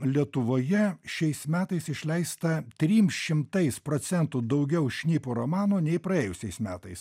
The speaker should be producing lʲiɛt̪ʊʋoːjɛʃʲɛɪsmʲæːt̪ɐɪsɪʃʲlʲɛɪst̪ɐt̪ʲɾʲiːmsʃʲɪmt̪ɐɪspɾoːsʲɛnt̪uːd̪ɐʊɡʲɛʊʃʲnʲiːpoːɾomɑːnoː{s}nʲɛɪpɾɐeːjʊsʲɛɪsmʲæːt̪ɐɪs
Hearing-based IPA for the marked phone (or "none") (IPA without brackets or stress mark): none